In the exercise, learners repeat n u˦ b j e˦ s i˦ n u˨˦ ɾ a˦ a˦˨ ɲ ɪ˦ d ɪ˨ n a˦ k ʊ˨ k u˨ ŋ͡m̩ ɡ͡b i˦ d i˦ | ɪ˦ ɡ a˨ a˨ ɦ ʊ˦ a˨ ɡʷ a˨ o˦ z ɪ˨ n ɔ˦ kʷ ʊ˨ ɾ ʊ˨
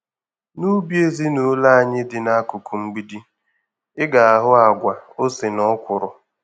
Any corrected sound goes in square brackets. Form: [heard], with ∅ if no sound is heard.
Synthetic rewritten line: n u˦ b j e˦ [z] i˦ n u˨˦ [l] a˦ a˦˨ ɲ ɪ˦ d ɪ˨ n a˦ k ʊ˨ k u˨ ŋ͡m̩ ɡ͡b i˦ d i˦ | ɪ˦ ɡ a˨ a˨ ɦ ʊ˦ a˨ ɡʷ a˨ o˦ [s] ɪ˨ n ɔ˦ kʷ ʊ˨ ɾ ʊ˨

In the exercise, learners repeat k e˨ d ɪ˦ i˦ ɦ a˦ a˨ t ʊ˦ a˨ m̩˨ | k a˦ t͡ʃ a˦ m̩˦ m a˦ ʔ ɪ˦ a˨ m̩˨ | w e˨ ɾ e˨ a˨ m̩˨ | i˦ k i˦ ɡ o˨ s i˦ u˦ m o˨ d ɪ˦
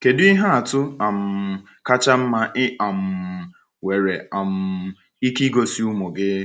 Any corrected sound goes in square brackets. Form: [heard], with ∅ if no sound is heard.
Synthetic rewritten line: k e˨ d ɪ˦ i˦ ɦ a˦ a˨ t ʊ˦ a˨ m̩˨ | k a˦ t͡ʃ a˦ m̩˦ m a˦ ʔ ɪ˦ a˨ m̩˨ | w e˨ ɾ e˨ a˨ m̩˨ | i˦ k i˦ ɡ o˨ s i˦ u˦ m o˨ [ɡ] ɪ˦

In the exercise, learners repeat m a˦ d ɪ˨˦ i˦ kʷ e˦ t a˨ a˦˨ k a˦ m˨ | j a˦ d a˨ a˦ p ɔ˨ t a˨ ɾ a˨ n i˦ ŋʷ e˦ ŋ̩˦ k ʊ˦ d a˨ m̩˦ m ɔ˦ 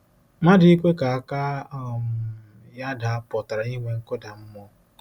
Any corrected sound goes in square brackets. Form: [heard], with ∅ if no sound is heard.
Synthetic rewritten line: m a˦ d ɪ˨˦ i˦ kʷ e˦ [k] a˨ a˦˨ k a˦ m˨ | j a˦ d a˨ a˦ p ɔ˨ t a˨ ɾ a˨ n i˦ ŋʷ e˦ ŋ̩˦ k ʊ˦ d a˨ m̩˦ m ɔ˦

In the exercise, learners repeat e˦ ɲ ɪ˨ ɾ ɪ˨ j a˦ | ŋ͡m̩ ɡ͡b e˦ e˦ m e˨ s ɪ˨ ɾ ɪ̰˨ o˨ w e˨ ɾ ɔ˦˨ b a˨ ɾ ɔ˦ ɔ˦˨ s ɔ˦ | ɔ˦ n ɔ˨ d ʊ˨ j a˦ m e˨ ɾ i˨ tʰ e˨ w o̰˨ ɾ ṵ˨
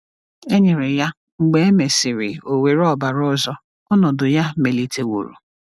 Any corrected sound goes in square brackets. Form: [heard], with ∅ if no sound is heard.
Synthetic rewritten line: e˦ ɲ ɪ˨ ɾ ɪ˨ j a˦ | ŋ͡m̩ ɡ͡b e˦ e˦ m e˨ s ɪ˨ ɾ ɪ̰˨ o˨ w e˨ ɾ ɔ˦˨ b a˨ ɾ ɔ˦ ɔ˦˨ [z] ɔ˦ | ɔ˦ n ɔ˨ d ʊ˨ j a˦ m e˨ [l] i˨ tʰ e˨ w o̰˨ ɾ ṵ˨

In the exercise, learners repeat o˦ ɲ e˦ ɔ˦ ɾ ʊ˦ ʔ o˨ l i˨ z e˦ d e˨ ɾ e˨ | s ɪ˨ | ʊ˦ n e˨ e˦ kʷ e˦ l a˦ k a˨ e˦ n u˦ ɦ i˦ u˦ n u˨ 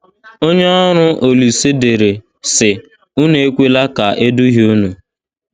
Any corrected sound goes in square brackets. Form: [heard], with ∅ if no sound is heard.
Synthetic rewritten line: o˦ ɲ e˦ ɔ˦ ɾ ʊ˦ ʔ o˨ l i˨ [s] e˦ d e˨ ɾ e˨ | s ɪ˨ | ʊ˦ n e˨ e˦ kʷ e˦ l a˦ k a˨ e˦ [d] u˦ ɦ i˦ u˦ n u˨

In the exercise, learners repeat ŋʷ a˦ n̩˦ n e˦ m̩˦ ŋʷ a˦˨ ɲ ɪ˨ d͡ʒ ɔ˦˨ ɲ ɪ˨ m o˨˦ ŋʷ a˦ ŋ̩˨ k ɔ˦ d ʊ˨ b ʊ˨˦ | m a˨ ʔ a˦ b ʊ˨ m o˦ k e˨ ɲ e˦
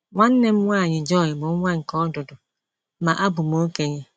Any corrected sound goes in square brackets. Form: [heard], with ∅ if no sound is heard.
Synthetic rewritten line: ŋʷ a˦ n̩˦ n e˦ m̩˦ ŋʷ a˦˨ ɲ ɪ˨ d͡ʒ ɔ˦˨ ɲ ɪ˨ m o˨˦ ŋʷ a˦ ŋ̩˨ k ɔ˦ d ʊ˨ [d] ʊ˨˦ | m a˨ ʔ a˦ b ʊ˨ m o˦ k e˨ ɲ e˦

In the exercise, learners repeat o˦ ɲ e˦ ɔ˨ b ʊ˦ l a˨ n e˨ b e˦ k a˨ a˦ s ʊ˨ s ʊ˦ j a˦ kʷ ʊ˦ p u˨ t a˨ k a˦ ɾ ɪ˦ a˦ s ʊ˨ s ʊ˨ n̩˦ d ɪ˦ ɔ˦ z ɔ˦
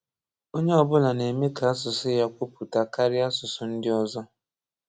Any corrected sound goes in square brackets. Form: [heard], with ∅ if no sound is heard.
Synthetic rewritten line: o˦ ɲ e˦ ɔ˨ b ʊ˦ l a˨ n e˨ [m] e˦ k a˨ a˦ s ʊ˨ s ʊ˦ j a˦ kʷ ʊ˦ p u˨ t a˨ k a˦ ɾ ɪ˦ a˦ s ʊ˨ s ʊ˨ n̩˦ d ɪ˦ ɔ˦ z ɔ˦

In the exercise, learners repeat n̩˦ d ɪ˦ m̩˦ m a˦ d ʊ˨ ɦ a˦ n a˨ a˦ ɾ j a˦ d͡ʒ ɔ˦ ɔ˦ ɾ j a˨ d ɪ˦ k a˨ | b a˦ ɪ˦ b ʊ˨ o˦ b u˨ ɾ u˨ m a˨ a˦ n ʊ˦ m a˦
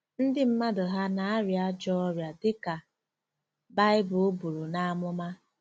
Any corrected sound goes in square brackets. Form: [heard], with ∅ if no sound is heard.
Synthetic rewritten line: n̩˦ d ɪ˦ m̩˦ m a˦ d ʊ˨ ɦ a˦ n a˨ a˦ ɾ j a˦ d͡ʒ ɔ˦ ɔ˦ ɾ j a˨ d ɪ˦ k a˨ | b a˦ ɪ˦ b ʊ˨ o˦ b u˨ ɾ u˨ [n] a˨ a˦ [m] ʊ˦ m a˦

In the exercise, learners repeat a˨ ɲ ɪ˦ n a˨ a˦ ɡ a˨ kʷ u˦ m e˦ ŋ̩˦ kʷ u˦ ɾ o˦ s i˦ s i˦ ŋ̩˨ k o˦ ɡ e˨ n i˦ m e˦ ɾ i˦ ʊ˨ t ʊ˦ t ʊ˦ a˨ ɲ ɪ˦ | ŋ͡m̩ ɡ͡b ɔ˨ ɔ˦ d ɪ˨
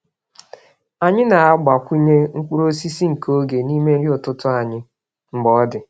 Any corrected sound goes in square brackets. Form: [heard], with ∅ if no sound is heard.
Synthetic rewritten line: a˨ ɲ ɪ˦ n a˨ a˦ [ɡ͡b] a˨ kʷ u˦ [ɲ] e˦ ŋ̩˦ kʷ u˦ ɾ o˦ s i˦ s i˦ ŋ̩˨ k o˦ ɡ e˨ n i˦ m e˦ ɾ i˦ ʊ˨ t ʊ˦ t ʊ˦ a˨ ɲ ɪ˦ | ŋ͡m̩ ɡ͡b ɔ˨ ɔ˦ d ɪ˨

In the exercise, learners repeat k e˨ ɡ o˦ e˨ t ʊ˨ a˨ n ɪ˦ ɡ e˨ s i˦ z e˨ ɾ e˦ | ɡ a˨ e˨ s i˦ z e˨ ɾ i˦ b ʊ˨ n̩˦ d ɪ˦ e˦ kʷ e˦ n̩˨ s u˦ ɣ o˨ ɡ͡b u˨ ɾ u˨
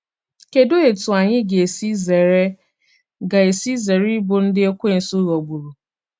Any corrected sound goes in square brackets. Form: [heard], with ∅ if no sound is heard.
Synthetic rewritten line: k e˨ [d] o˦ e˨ t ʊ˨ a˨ [ɲ] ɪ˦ ɡ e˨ s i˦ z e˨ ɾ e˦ | ɡ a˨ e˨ s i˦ z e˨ ɾ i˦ b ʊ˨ n̩˦ d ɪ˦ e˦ kʷ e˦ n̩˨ s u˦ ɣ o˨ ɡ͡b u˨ ɾ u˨

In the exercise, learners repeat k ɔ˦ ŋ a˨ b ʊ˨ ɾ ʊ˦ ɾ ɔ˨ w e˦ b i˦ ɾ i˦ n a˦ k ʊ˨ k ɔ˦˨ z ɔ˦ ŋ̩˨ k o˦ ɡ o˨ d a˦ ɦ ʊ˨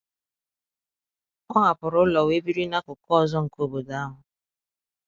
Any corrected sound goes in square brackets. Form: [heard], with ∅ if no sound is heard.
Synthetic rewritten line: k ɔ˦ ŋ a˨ [p] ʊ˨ ɾ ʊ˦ [l] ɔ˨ w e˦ b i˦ ɾ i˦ n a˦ k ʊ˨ k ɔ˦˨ z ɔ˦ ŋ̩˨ k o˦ [b] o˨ d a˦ ɦ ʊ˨

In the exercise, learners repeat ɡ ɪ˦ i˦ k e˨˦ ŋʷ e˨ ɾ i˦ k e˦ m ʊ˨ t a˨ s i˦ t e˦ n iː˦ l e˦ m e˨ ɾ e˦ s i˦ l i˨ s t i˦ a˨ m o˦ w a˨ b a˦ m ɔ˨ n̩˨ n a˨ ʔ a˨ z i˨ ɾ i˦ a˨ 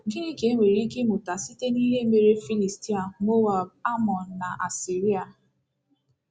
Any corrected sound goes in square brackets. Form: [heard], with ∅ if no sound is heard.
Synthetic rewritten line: ɡ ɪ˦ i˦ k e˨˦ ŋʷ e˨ ɾ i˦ k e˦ m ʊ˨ t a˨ s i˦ t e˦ n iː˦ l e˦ m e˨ ɾ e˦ [f] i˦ l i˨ s t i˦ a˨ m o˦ w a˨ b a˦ m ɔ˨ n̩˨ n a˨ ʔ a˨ [s] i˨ ɾ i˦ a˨

